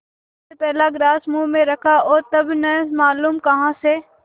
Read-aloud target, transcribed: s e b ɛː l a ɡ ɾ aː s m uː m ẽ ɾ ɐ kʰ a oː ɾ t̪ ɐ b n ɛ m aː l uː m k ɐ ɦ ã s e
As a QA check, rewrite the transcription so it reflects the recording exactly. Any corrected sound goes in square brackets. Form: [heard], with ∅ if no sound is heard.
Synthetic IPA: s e [p] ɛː l a ɡ ɾ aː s m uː m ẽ ɾ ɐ kʰ a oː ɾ t̪ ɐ b n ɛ m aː l uː m k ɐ ɦ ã s e